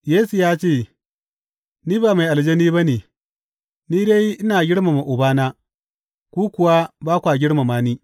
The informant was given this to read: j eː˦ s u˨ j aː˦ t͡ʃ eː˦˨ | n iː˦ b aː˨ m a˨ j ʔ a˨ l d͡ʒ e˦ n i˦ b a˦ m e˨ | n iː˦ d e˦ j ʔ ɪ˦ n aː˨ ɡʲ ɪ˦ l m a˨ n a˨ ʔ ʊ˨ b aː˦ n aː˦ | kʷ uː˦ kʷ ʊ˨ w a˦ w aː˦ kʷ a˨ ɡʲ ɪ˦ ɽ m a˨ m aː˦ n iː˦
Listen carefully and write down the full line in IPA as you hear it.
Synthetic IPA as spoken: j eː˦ s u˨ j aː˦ t͡ʃ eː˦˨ | n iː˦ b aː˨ m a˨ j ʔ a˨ l d͡ʒ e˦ n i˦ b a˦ n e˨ | n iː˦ d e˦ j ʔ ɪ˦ n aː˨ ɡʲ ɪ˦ ɽ m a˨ m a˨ ʔ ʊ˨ b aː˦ n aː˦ | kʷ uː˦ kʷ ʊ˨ w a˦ b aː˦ kʷ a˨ ɡʲ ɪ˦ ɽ m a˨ m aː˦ n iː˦